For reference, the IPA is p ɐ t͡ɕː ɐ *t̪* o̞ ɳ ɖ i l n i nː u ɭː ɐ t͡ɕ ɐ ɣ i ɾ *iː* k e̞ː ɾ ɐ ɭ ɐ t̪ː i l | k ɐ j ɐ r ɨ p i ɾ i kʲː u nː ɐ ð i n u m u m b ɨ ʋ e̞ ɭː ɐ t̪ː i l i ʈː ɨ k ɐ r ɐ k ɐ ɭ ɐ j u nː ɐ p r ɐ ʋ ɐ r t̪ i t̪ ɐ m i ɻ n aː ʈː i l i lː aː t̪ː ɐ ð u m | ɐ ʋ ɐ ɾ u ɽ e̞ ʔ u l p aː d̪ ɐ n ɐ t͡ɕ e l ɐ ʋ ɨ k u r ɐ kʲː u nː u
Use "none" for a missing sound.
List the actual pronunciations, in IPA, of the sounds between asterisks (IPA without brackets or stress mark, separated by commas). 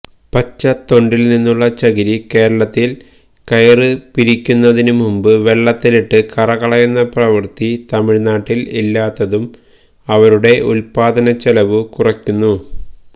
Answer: t̪, i